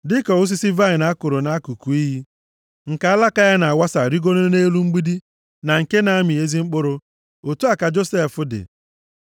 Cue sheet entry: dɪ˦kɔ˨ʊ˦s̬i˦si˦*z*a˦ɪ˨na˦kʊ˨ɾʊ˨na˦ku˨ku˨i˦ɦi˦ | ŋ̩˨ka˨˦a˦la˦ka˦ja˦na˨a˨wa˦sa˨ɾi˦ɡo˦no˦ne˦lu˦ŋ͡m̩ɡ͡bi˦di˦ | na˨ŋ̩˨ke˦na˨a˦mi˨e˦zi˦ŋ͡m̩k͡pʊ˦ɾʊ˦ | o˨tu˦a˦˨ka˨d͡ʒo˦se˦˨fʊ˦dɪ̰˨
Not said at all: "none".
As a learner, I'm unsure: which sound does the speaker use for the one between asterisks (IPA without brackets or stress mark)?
v